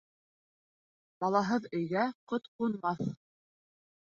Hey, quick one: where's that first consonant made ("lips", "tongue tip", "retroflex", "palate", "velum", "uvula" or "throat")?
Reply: lips